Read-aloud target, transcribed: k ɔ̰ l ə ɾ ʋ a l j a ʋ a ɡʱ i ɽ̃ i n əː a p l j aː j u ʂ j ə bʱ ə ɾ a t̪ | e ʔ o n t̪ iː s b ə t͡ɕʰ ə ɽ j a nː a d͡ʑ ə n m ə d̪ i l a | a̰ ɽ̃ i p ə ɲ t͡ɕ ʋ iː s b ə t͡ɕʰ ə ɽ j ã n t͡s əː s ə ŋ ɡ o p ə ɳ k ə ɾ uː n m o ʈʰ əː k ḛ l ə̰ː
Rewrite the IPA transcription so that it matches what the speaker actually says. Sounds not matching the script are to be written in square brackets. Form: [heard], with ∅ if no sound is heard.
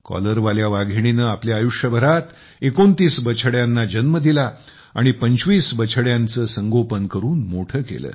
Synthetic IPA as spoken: k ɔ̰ l ə ɾ ʋ a l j a ʋ a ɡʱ i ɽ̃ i n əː a p l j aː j u ʂ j ə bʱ ə ɾ a t̪ | e [k] o n t̪ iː s b ə t͡ɕʰ ə ɽ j a nː a d͡ʑ ə n m ə d̪ i l a | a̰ ɽ̃ i p ə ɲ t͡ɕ ʋ iː s b ə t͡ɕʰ ə ɽ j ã n t͡s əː s ə ŋ ɡ o p ə [n] k ə ɾ uː n m o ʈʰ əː k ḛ l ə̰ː

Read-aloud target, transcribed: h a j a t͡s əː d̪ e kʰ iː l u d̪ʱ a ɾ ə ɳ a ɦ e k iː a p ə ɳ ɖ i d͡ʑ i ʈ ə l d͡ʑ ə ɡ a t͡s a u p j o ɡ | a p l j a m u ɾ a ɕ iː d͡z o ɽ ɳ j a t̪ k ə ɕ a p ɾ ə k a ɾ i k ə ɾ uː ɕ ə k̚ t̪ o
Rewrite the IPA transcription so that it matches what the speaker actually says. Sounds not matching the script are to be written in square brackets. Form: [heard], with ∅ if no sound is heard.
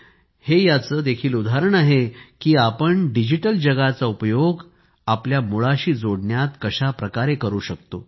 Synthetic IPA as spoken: h [e] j a t͡s əː d̪ e kʰ iː l u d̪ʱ a ɾ ə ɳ a ɦ e k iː a p ə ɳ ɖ i d͡ʑ i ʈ ə l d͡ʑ ə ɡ a t͡s a u p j o ɡ | a p l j a m u [ɭ] a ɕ iː d͡z o ɽ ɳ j a t̪ k ə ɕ a p ɾ ə k a ɾ [e] k ə ɾ uː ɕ ə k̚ t̪ o

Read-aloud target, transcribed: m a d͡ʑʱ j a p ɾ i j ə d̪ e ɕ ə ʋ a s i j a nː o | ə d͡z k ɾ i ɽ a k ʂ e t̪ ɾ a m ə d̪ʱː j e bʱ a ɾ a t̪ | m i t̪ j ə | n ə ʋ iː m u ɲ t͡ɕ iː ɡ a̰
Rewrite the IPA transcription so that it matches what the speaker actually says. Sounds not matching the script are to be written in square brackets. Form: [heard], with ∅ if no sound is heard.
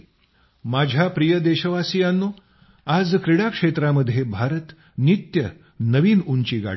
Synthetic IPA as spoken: m a d͡ʑʱ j a p ɾ i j ə d̪ e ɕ ə ʋ a s i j a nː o | [a] d͡z k ɾ i ɽ a k ʂ e t̪ ɾ a m ə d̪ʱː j e bʱ a ɾ [ə] t̪ | [n] i t̪ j ə | n ə ʋ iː [n] u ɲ t͡ɕ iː ɡ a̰

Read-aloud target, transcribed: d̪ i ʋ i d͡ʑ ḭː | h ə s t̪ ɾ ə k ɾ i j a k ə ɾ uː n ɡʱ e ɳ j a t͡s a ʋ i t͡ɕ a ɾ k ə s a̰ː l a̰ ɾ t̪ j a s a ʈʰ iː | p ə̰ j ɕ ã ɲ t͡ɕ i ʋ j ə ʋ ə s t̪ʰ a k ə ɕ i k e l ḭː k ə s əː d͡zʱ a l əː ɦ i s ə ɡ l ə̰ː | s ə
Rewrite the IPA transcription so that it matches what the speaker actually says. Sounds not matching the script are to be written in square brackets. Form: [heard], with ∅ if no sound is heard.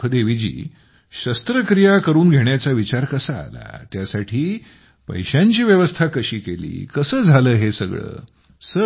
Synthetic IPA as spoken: d̪ [e] ʋ i d͡ʑ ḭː | [ɕ] ə s t̪ ɾ ə k ɾ i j a k ə ɾ uː n ɡʱ e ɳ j a t͡s a ʋ i t͡ɕ a ɾ k ə s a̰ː l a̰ [∅] t̪ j a s a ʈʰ iː | p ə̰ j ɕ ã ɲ t͡ɕ [iː] ʋ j ə ʋ ə s t̪ʰ a k ə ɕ [iː] k e l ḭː k ə s əː d͡zʱ a l əː ɦ [e] s ə ɡ [ɭ] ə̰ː | s ə

